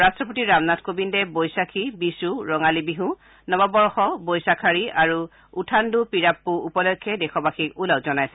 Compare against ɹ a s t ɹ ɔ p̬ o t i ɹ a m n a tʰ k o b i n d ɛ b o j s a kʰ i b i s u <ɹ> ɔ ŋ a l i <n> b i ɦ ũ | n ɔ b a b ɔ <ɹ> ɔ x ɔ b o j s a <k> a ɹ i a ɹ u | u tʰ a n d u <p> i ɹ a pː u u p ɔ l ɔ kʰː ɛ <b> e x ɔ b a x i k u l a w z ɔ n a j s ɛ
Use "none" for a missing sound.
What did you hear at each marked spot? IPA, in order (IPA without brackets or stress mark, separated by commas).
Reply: ɹ, none, ɹ, kʰ, p, d